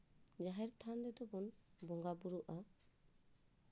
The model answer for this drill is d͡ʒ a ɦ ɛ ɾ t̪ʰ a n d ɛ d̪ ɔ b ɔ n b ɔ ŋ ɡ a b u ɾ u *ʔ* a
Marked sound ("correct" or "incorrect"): correct